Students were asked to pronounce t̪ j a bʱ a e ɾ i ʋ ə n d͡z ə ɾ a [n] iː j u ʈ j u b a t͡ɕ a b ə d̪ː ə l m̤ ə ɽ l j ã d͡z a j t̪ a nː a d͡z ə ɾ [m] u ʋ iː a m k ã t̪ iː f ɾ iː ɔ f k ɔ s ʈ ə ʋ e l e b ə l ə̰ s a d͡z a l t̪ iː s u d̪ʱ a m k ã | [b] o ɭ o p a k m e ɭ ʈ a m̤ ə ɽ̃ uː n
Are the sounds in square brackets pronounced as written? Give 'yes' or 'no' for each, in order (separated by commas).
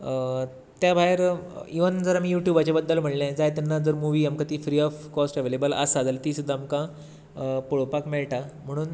no, yes, no